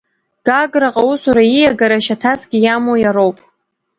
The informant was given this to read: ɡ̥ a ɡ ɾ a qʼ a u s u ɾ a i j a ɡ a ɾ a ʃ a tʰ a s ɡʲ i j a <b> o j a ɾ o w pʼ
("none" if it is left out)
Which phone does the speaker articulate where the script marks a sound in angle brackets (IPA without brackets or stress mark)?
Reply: m